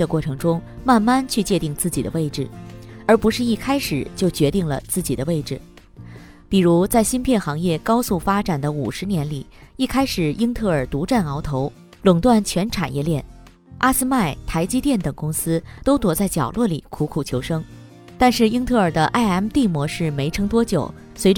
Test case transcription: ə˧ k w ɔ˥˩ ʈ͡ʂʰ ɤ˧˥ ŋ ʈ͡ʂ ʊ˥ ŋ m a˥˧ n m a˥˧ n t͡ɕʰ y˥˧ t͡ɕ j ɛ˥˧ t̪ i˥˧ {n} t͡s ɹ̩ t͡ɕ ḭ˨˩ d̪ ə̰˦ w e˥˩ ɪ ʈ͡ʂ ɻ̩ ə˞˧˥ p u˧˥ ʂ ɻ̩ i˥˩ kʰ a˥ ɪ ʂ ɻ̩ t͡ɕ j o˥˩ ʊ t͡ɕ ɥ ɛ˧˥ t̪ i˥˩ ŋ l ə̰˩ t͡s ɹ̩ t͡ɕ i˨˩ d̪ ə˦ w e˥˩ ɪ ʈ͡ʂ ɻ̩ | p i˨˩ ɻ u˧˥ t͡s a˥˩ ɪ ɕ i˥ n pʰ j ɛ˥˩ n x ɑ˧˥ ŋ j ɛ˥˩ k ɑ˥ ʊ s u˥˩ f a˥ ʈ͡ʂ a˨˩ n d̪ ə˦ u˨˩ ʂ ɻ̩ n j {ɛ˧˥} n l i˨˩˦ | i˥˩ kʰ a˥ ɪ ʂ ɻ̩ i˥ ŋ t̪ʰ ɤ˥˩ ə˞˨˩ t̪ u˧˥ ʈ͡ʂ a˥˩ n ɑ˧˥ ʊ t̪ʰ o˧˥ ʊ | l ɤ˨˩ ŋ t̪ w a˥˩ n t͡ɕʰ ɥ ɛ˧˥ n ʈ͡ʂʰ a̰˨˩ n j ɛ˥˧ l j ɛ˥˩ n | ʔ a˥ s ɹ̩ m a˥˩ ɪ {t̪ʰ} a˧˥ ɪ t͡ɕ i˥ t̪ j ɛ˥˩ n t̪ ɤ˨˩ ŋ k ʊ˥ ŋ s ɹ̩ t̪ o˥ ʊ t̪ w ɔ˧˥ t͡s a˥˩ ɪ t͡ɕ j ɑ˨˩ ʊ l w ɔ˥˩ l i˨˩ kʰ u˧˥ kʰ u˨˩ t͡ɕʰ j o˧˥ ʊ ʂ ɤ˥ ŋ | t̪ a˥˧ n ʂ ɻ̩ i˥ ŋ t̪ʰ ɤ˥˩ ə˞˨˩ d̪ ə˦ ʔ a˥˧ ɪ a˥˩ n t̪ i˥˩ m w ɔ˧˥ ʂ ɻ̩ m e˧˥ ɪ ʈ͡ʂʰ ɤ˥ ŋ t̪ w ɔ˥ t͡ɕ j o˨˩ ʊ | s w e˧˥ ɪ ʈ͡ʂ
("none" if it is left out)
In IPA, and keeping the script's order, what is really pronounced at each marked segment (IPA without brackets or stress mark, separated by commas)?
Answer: ŋ, ɛ˧˥, t̪ʰ